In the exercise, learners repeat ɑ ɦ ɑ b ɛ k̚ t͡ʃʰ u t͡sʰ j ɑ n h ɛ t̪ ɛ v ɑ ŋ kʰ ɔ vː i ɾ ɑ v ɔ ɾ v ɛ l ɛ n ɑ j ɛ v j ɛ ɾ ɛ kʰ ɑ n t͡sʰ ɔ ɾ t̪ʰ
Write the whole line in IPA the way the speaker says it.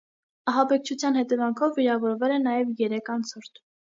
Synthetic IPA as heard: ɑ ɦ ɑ b ɛ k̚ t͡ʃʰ u t͡sʰ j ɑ n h ɛ t̪ ɛ v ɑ ŋ kʰ ɔ vː i ɾ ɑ v ɔ ɾ v ɛ l ɛ n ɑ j ɛ v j ɛ ɾ ɛ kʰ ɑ n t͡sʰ ɔ ɾ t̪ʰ